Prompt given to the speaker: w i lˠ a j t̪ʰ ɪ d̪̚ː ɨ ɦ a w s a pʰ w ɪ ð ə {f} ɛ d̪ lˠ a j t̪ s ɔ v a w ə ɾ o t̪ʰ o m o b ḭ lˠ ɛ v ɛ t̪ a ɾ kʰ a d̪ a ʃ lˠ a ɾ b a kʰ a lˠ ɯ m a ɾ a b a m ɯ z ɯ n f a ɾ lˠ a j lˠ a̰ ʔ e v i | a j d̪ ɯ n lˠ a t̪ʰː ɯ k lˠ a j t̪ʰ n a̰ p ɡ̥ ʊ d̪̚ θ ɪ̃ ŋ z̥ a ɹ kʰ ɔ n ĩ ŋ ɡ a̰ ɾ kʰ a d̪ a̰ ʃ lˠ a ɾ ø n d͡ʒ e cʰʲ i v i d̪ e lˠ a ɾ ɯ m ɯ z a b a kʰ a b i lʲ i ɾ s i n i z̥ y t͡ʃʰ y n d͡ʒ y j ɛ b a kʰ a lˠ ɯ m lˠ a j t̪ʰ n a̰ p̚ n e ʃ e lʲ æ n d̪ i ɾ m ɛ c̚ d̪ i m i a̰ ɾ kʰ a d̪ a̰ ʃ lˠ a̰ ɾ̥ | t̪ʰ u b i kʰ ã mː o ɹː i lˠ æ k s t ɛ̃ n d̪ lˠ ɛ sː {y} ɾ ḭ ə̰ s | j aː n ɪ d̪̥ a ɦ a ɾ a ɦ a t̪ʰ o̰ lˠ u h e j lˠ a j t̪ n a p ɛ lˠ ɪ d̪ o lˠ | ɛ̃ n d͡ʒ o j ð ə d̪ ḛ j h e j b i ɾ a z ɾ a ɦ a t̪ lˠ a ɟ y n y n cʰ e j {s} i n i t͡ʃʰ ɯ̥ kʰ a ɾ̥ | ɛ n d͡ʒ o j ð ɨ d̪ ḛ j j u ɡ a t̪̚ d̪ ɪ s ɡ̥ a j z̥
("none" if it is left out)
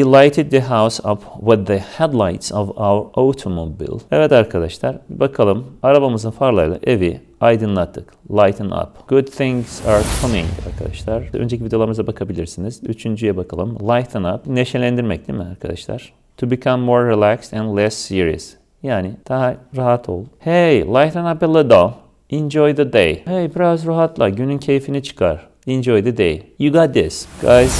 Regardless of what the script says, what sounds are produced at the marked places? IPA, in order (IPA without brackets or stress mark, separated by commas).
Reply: h, i, f